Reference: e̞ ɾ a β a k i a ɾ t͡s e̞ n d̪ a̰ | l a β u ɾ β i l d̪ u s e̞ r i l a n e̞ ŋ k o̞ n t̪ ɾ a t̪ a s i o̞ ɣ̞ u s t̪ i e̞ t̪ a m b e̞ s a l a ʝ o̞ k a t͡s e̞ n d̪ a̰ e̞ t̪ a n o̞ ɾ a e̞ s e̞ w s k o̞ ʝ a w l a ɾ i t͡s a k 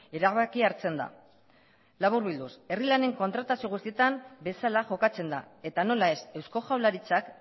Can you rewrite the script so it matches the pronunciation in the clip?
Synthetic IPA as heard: e̞ ɾ a β a k i a ɾ t͡s e̞ n d̪ a̰ | l a β u ɾ β i l d̪ u s e̞ r i l a n e̞ ŋ k o̞ n t̪ ɾ a t̪ a s i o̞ ɣ̞ u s t̪ i e̞ t̪ a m b e̞ s a l a ʝ o̞ k a t͡s e̞ n d̪ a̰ e̞ t̪ a n o̞ l a e̞ s e̞ w s k o̞ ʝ a w l a ɾ i t͡s a k